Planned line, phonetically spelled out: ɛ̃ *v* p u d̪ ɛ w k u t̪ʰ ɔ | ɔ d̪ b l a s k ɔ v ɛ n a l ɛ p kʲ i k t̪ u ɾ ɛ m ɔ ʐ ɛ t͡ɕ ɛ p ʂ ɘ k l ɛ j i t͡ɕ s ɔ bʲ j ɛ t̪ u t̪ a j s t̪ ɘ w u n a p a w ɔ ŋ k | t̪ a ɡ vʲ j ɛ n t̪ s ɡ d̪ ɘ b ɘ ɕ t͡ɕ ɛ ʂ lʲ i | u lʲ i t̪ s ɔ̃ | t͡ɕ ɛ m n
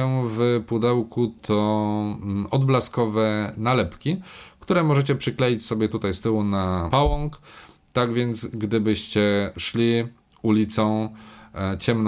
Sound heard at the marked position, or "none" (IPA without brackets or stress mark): v